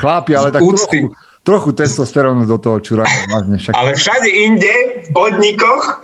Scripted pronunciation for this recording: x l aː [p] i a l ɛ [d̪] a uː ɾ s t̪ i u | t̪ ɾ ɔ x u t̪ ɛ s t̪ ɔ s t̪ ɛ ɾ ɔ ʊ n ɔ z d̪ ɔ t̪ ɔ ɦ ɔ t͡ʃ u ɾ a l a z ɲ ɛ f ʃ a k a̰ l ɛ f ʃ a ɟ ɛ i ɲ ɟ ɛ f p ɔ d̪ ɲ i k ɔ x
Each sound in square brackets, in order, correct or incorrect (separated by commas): correct, incorrect